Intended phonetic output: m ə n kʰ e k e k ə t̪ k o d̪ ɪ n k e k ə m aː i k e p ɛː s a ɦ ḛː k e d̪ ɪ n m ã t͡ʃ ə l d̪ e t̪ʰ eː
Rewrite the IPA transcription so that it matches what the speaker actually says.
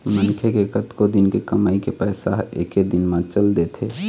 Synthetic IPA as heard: m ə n kʰ e k e k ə t̪ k o d̪ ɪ n k e k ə m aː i k e p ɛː s a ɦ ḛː k e d̪ ɪ n m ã t͡ʃ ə l d̪ e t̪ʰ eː